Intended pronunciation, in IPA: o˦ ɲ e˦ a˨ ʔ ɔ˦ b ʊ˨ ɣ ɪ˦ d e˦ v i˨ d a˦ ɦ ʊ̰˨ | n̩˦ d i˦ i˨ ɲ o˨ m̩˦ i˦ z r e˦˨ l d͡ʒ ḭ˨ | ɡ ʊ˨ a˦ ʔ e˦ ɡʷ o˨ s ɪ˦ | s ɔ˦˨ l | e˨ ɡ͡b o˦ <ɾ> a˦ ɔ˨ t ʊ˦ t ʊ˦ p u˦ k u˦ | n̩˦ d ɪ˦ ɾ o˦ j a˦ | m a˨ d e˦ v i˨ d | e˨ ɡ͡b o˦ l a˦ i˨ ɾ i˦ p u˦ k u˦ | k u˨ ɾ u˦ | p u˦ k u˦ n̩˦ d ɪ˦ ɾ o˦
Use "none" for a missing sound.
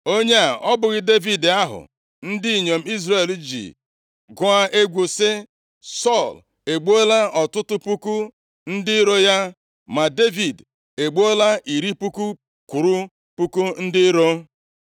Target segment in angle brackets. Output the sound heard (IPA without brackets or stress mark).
l